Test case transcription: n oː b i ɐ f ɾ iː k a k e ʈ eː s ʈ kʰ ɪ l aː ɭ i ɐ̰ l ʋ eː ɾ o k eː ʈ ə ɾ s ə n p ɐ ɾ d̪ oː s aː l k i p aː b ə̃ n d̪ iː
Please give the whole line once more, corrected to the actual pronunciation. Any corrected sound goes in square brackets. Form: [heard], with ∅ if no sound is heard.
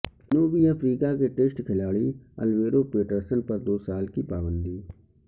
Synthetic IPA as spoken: n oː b i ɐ f ɾ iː k a k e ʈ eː s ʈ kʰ ɪ l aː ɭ i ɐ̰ l ʋ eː ɾ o [p] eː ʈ ə ɾ s ə n p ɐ ɾ d̪ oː s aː l k i p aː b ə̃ n d̪ iː